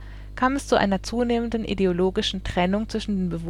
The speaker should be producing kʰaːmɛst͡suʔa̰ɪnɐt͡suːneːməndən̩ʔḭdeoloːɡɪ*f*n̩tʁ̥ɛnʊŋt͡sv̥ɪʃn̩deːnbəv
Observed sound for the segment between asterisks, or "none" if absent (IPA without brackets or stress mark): ʃ